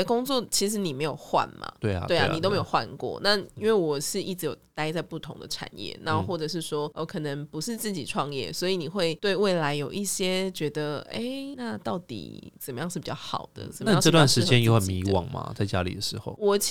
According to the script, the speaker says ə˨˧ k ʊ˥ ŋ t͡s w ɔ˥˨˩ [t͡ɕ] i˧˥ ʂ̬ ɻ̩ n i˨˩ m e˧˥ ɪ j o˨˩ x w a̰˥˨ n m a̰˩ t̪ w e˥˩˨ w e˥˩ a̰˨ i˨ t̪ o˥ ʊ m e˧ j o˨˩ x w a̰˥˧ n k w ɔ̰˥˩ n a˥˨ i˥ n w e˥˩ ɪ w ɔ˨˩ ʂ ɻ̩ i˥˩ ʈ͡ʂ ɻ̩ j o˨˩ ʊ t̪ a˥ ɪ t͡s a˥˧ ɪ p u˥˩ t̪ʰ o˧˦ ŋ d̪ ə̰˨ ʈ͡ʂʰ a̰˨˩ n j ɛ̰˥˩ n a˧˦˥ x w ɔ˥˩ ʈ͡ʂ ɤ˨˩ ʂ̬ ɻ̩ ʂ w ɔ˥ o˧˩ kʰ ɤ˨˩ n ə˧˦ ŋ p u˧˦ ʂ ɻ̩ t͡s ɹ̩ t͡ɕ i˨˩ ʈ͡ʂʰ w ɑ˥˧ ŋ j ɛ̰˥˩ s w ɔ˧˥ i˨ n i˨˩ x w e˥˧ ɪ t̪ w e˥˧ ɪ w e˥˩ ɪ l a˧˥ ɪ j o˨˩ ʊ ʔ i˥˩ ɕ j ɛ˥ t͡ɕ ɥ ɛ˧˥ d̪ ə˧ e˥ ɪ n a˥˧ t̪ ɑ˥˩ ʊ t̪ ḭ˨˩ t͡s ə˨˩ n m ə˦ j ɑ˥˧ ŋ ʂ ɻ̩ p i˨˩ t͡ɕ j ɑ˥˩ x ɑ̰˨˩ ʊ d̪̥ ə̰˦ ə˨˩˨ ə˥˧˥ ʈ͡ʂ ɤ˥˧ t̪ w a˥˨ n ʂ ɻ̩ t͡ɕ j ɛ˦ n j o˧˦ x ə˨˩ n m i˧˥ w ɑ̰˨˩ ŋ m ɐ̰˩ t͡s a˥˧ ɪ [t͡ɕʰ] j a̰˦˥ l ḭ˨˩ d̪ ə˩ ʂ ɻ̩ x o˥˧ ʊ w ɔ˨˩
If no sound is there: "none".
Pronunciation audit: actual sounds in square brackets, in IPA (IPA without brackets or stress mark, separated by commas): t͡ɕʰ, t͡ɕ